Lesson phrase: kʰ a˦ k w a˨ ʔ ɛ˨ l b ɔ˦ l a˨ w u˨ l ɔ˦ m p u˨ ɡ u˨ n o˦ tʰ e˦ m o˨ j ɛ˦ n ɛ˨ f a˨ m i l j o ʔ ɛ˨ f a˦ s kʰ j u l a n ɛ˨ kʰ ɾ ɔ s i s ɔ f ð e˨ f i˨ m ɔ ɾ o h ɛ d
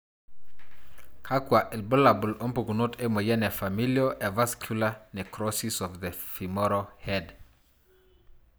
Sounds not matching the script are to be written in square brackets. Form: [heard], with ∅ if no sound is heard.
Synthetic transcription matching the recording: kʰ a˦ k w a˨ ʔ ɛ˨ l b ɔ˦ l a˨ [b] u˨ l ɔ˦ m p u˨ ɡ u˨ n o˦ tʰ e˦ m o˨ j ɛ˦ n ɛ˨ f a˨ m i l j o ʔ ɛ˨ [v] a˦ s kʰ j u l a n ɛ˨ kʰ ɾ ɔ s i s ɔ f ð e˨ f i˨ m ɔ ɾ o h ɛ d

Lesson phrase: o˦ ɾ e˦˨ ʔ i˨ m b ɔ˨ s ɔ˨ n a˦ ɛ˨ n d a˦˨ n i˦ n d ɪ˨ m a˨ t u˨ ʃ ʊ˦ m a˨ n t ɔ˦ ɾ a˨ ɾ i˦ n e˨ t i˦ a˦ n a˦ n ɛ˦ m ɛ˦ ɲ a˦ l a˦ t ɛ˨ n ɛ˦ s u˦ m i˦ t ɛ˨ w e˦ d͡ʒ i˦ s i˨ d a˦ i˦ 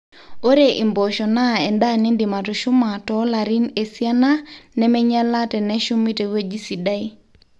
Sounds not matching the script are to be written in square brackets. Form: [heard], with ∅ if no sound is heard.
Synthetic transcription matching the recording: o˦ ɾ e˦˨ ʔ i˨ m b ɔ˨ [ʃ] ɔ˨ n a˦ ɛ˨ n d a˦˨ n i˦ n d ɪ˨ m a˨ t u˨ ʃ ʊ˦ m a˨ [∅] t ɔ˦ [l] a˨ ɾ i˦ n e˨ [s] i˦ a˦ n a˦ n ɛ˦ m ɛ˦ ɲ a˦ l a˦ t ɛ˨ n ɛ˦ [ʃ] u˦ m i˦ t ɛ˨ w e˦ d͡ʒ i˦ s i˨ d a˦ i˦

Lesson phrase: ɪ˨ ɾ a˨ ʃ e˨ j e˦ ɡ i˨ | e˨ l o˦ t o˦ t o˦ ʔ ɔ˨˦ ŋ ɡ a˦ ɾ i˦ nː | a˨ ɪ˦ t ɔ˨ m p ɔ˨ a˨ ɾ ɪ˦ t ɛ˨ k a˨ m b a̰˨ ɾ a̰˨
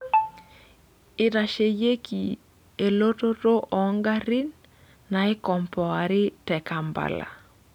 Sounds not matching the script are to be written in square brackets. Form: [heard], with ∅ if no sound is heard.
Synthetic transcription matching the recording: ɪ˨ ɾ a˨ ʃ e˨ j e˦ [k] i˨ | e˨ l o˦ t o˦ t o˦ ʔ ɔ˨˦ ŋ ɡ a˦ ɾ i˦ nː | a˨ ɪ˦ [k] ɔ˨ m p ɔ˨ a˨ ɾ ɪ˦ t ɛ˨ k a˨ m b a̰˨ [l] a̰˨

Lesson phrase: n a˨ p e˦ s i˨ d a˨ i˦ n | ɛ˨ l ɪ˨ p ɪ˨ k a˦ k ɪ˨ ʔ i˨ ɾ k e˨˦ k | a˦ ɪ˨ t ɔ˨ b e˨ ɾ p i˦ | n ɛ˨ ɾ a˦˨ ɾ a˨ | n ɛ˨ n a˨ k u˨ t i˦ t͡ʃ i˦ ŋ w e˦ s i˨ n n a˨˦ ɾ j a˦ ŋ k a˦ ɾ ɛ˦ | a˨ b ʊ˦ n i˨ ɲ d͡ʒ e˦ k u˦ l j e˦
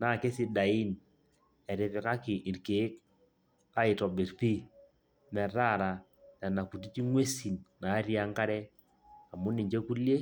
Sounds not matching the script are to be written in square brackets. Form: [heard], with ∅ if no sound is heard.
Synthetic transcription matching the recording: n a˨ [k] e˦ s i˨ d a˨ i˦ n | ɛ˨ [ɾ] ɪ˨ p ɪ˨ k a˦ k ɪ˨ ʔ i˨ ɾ k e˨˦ k | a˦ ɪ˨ t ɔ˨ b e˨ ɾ p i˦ | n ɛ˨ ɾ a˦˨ ɾ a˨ | n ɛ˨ n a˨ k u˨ t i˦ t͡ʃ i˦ ŋ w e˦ s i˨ n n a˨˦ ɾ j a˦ ŋ k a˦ ɾ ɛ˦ | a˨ [m] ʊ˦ n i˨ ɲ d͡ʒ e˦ k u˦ l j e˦

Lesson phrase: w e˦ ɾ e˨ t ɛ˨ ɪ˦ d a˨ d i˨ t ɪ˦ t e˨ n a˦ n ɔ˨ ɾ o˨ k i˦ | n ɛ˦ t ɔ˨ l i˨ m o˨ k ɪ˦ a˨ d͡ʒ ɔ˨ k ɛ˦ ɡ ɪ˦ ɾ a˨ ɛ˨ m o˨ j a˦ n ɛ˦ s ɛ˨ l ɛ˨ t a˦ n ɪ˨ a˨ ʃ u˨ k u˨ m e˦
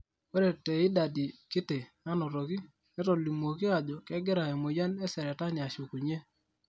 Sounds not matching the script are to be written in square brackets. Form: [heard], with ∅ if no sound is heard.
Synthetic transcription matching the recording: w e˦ ɾ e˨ t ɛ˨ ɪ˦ d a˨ d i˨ [k] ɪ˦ t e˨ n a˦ n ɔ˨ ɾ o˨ k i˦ | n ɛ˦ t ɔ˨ l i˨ m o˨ k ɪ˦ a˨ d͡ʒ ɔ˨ k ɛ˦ ɡ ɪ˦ ɾ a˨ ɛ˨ m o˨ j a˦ n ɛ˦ s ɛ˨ [ɾ] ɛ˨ t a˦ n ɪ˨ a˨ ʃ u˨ k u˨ [ɲ] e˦

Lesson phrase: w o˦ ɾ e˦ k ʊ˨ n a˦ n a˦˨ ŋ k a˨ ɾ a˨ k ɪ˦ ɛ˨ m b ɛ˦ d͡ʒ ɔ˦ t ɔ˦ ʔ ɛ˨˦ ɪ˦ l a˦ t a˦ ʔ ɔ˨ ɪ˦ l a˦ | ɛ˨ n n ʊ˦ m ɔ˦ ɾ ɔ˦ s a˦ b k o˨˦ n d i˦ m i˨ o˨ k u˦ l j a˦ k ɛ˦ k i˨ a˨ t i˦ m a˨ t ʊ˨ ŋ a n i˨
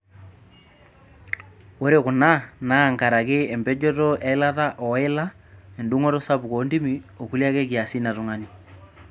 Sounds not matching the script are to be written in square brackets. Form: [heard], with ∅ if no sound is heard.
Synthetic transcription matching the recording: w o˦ ɾ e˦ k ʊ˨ n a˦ n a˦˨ ŋ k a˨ ɾ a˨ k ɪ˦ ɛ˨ m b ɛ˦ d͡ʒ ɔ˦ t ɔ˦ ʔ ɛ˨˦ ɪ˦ l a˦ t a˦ ʔ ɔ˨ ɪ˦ l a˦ | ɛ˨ n [d] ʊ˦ [ŋ] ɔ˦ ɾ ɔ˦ s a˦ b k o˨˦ n d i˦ m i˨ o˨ k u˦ l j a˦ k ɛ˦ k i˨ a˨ [s] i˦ [n] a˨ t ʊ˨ ŋ a n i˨

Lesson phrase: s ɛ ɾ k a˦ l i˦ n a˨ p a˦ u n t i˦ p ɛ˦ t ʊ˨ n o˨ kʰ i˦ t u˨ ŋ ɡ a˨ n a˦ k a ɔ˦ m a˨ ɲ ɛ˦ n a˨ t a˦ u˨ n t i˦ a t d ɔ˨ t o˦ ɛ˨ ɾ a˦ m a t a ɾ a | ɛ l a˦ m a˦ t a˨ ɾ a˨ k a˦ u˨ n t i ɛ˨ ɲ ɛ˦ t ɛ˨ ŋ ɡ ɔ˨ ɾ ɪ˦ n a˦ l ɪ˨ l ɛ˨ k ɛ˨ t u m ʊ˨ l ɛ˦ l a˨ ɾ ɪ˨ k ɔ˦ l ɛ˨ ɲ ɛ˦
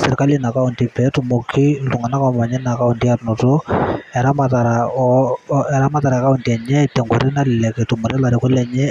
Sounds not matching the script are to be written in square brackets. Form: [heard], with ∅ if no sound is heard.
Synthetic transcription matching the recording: s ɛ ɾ k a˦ l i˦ n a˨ [k] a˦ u n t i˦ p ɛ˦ t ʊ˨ [m] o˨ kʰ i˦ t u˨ ŋ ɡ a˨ n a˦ k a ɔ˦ m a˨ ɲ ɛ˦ n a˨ [k] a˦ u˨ n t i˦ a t [n] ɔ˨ t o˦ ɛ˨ ɾ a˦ m a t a ɾ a | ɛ [ɾ] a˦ m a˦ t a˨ ɾ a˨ k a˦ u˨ n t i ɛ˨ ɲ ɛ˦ t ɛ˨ ŋ ɡ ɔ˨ ɾ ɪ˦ n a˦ l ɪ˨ l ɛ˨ k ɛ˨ t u m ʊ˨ [ɾ] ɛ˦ l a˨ ɾ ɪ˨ k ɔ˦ l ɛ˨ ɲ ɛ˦

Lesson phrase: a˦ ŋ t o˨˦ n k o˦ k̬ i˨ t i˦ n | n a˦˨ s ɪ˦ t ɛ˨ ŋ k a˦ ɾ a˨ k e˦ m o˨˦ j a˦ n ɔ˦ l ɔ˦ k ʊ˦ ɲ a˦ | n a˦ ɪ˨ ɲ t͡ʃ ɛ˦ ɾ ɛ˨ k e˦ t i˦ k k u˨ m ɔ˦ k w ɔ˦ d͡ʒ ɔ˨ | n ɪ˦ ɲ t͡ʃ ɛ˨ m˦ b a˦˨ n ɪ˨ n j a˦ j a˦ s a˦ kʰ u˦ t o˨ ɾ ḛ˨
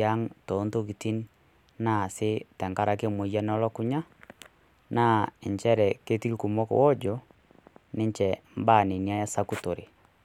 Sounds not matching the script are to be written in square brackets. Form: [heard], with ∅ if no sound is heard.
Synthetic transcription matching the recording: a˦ ŋ t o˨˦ n [t] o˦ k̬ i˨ t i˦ n | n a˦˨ s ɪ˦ t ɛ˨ ŋ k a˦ ɾ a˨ k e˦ m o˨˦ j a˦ n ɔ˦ l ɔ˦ k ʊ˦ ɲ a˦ | n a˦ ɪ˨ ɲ t͡ʃ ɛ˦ ɾ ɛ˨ k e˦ t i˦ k k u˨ m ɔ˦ k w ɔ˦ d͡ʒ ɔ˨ | n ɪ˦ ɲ t͡ʃ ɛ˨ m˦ b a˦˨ n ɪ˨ n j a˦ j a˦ s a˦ [k] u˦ t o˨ ɾ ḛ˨

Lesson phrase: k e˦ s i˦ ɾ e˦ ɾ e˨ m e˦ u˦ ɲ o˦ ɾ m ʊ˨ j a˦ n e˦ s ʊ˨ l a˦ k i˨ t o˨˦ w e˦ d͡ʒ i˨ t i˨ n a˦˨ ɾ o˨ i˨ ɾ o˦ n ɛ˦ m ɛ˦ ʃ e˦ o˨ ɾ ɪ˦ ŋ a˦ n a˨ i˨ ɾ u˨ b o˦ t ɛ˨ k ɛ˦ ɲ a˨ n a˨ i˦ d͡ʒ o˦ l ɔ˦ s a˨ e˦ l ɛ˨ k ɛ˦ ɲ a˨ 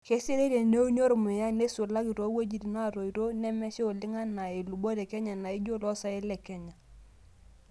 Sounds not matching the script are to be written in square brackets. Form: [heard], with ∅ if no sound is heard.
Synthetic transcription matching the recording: k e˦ s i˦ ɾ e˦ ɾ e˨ [n] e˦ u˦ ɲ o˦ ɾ m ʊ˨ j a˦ n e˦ s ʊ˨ l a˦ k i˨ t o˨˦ w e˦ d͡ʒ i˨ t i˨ n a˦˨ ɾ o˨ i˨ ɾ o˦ n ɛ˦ m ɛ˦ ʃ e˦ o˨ [l] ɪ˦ ŋ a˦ n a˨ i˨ [l] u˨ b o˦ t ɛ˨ k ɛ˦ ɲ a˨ n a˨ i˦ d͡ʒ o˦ l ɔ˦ s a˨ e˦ l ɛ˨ k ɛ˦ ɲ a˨

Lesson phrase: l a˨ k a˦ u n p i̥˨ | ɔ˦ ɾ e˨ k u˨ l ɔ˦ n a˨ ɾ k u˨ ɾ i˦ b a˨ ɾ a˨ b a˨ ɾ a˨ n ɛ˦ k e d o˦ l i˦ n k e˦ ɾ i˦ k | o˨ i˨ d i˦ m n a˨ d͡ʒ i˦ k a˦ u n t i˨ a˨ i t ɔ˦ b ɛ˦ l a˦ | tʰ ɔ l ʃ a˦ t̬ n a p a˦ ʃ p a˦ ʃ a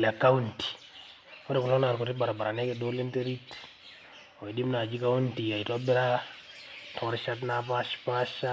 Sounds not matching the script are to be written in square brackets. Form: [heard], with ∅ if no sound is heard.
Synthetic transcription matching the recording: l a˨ k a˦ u n [t] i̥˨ | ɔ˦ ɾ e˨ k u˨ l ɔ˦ n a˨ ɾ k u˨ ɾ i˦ b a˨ ɾ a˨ b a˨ ɾ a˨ n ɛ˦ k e d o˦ l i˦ n [t] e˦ ɾ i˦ [t] | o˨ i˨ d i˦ m n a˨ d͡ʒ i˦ k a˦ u n t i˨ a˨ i t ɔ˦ b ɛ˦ [ɾ] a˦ | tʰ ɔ [ɾ] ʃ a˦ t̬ n a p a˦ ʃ p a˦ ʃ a

